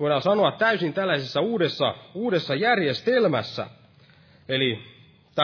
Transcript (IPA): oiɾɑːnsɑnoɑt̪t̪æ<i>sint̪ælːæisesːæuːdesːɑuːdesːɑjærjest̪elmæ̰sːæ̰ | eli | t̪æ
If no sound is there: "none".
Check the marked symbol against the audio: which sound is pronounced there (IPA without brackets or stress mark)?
y